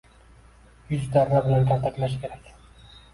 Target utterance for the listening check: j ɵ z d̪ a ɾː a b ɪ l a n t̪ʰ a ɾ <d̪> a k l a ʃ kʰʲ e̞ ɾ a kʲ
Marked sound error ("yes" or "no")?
yes